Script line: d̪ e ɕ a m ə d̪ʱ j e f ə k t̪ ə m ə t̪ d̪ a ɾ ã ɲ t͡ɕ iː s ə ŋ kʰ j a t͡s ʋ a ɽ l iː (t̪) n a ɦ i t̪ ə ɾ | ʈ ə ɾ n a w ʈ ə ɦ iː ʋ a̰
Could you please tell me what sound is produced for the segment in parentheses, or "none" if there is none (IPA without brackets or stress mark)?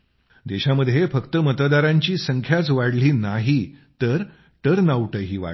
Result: none